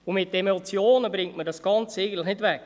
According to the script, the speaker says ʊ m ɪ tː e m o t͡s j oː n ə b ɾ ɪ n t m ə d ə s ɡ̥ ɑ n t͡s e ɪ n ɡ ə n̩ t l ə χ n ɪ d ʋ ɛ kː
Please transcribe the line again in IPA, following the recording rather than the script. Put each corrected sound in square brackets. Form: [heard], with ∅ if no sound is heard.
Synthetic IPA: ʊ m ɪ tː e m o t͡s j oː n ə b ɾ ɪ [ŋ] t m ə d [ɑ] s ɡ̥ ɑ n t͡s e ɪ [∅] ɡ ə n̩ t l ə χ n ɪ d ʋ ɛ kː